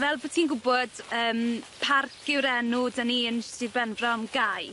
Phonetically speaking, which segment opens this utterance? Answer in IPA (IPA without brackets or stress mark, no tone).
v